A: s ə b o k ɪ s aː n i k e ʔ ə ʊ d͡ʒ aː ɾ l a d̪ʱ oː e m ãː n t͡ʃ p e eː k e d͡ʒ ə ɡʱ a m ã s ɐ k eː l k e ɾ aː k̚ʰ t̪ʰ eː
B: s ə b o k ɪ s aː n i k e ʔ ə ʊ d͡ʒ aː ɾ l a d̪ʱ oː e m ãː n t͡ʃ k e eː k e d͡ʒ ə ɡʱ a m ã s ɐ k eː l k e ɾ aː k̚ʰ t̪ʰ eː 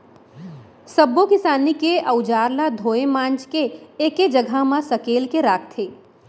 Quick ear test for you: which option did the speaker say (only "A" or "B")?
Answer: B